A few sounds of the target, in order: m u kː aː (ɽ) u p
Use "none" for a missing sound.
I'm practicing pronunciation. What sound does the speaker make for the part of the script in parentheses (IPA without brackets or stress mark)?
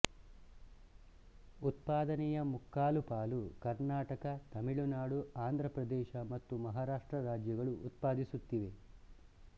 l